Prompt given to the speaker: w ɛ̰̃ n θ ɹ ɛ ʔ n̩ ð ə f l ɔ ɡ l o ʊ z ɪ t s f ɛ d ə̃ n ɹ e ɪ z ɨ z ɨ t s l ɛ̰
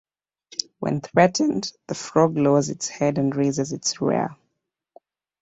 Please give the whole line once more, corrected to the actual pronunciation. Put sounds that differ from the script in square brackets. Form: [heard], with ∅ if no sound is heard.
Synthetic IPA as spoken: w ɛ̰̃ n θ ɹ ɛ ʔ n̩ ð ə f [ɹ] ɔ ɡ l o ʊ z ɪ t s [h] ɛ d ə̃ n ɹ e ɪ z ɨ z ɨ t s [ɹ] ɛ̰